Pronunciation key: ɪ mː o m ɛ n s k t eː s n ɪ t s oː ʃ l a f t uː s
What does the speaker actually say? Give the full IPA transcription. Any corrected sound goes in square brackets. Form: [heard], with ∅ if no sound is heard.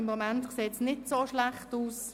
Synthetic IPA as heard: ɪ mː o m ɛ n [t] k [s] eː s n ɪ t s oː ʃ l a [χ] t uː s